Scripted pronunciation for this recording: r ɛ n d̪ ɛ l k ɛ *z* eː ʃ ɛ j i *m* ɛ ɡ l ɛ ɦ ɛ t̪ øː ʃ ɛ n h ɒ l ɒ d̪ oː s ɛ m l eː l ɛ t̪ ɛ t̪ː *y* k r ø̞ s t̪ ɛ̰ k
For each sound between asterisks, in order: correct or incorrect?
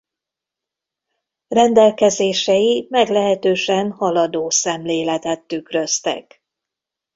correct, correct, correct

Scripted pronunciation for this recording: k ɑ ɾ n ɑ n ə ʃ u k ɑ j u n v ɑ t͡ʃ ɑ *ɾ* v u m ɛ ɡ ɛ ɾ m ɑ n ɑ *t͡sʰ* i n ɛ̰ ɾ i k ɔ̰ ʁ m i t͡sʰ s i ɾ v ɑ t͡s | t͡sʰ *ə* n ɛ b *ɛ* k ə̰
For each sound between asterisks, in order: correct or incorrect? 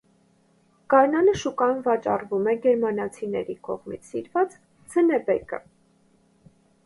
incorrect: r, correct, correct, correct

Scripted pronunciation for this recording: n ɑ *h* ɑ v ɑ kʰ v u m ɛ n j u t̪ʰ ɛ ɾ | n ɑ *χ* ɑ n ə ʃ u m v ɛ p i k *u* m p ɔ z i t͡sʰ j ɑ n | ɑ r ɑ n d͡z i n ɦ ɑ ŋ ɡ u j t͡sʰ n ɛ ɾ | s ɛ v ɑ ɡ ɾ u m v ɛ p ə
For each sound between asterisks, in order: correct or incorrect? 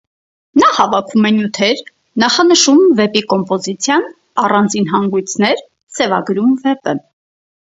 correct, correct, incorrect: ɔ

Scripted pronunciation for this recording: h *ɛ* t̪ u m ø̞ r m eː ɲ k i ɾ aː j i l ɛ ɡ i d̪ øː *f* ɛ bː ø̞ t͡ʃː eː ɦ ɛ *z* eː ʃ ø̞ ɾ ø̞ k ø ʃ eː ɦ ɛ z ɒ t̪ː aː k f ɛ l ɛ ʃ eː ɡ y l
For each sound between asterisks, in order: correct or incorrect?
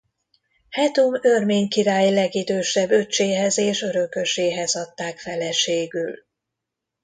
correct, incorrect: ʃ, correct

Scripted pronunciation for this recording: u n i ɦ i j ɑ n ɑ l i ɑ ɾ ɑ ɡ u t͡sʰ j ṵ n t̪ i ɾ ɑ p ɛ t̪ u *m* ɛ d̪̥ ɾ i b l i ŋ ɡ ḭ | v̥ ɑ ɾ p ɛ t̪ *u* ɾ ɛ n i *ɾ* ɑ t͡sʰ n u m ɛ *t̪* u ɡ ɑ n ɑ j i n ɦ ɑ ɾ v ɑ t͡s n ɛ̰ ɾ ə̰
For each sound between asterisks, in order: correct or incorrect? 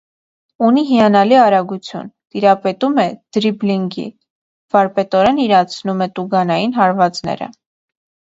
correct, incorrect: ɔ, correct, correct

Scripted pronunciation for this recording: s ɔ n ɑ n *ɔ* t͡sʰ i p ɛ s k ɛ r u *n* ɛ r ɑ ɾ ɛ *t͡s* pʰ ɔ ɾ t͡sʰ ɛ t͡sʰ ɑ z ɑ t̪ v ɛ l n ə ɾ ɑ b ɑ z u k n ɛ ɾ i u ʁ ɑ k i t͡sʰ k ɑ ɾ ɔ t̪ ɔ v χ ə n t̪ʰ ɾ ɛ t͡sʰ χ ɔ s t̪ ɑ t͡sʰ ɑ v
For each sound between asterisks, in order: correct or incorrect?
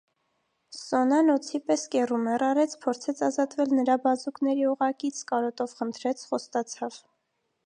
correct, incorrect: m, incorrect: t͡sʰ

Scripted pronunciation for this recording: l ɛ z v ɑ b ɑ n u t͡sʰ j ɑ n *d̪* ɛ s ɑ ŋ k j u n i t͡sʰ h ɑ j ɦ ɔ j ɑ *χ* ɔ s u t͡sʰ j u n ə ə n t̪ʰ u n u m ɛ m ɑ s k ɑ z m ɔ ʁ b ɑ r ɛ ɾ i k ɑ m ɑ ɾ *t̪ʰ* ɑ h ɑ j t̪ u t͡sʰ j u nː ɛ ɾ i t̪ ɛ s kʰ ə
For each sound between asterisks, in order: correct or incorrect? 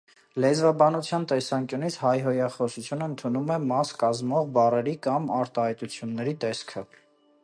incorrect: t̪, correct, incorrect: t̪

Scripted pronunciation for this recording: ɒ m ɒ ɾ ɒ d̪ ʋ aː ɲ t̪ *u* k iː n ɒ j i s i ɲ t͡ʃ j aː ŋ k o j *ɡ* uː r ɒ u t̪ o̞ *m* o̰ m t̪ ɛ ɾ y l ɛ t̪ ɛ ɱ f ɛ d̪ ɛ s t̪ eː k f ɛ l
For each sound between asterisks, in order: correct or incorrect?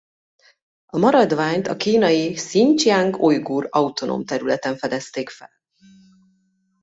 incorrect: ɒ, correct, incorrect: n

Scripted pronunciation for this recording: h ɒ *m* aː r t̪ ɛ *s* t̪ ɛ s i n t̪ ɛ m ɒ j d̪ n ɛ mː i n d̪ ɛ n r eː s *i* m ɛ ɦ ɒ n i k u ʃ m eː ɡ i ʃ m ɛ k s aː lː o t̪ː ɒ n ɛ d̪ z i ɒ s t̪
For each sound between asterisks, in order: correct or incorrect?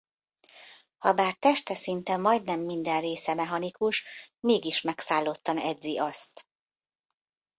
incorrect: b, incorrect: ʃ, incorrect: ɛ

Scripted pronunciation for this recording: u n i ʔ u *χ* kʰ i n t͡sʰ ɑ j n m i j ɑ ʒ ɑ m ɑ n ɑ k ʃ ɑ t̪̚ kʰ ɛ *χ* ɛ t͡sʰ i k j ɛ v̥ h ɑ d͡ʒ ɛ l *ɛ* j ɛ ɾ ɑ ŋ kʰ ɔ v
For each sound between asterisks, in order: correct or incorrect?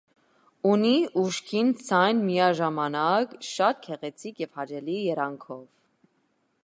incorrect: ʃ, incorrect: ʁ, incorrect: i

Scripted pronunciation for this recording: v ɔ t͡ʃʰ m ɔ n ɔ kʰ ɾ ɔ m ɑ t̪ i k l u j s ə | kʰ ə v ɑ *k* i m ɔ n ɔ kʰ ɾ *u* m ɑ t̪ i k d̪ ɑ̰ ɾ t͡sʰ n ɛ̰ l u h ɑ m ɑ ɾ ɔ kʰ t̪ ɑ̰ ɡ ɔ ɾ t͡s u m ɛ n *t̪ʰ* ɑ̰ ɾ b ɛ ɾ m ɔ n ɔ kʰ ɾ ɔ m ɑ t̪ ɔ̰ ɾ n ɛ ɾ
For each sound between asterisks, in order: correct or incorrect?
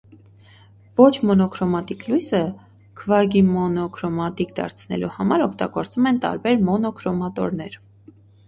incorrect: ɡ, incorrect: ɔ, incorrect: t̪

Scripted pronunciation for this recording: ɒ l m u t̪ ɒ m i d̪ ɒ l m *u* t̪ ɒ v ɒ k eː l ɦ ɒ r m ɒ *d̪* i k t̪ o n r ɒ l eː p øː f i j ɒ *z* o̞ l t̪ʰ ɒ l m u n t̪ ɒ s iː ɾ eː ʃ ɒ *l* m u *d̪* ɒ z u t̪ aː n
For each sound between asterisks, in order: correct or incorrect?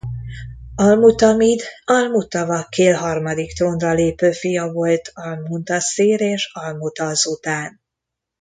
correct, correct, incorrect: v, correct, incorrect: t̪

